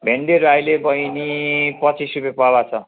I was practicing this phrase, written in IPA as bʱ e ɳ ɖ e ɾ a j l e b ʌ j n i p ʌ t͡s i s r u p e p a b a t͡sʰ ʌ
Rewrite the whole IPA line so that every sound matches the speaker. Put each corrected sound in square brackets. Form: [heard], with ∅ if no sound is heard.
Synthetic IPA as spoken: bʱ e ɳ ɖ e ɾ a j l e b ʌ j n i p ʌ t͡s i s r u p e p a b a t͡sʰ ʌ